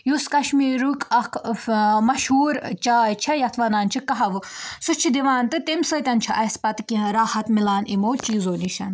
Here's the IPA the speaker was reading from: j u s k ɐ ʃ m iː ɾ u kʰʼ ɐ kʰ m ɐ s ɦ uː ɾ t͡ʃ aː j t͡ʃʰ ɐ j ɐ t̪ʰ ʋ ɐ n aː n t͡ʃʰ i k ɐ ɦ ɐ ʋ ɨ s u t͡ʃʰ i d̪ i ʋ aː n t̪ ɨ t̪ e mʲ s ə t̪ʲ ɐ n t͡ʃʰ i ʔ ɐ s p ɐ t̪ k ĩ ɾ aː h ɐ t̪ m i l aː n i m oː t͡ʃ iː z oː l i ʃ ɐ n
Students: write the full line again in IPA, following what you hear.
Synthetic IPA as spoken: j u s k ɐ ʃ m iː ɾ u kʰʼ ɐ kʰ m ɐ ʃ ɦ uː ɾ t͡ʃ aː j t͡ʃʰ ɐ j ɐ t̪ʰ ʋ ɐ n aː n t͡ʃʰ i k ɐ ɦ ɐ ʋ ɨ s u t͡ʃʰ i d̪ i ʋ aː n t̪ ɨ t̪ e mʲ s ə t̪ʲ ɐ n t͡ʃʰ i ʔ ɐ s p ɐ t̪ k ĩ ɾ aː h ɐ t̪ m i l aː n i m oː t͡ʃ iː z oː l i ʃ ɐ n